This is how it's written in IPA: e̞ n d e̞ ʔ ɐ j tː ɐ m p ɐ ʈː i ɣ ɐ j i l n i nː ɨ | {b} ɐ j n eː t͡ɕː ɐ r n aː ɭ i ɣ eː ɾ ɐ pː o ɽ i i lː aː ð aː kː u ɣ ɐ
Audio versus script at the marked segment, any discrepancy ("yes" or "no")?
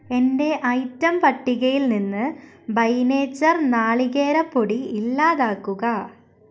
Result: no